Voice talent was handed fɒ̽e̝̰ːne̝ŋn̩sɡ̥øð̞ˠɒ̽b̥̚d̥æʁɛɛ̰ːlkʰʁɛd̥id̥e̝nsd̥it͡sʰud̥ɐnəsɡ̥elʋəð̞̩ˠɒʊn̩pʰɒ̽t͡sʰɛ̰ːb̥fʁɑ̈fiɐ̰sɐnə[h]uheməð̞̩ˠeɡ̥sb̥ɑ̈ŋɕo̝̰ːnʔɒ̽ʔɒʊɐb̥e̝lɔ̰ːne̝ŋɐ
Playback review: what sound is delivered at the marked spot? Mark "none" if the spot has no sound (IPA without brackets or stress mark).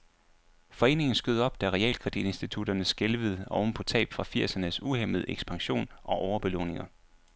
s